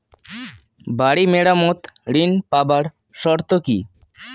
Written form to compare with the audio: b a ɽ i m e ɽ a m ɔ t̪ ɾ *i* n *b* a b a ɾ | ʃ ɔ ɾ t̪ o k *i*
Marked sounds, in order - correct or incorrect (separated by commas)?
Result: correct, incorrect, correct